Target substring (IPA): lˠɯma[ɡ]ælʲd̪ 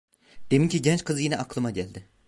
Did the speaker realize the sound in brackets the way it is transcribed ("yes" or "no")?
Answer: no